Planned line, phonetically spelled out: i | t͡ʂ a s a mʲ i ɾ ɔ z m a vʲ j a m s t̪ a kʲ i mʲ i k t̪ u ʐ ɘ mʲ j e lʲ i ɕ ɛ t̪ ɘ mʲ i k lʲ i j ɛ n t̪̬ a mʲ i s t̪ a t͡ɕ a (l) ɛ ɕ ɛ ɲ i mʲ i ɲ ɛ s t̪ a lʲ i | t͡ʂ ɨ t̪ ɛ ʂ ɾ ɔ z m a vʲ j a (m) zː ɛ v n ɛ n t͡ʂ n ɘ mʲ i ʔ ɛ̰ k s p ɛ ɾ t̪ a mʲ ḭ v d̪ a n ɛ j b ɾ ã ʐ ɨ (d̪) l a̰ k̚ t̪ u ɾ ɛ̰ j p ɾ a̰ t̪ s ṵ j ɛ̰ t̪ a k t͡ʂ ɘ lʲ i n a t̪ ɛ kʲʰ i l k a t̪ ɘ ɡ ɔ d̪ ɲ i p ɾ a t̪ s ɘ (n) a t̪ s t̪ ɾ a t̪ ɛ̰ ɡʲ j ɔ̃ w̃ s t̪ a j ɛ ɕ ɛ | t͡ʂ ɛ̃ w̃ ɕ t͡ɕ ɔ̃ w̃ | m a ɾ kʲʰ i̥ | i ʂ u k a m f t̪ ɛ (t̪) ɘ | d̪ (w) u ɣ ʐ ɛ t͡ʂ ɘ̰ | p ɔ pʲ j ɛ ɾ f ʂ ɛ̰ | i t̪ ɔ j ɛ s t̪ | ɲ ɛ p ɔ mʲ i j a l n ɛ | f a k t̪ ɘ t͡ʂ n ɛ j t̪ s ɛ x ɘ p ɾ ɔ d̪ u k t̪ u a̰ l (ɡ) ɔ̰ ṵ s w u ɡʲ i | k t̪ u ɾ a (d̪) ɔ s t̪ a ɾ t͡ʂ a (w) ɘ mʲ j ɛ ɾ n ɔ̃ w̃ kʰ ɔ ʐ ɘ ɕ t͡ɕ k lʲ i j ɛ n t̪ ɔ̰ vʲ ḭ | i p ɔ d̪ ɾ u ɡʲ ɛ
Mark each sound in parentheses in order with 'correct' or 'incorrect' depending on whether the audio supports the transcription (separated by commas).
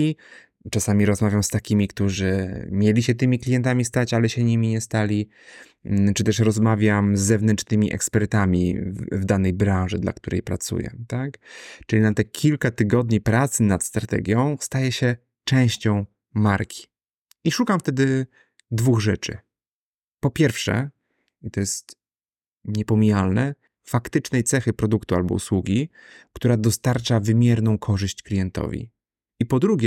correct, correct, correct, correct, incorrect, incorrect, incorrect, correct, incorrect